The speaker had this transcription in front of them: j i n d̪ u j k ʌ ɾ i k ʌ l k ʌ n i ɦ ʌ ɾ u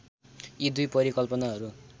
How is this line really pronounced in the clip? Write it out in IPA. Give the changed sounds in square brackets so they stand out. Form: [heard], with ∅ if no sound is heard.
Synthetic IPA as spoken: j i [∅] d̪ u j [p] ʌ ɾ i k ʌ l [p] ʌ n [a] ɦ ʌ ɾ u